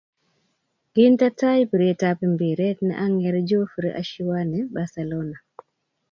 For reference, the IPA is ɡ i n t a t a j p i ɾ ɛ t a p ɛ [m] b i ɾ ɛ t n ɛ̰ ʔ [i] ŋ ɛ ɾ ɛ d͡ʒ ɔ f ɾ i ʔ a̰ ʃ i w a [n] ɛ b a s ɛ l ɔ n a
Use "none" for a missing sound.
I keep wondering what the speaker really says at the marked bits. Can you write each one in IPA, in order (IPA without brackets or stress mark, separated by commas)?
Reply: m, a, n